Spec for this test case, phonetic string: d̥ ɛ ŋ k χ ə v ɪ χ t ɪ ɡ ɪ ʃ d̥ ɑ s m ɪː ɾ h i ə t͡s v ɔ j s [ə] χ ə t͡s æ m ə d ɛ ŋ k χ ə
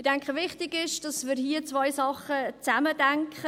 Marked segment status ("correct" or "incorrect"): incorrect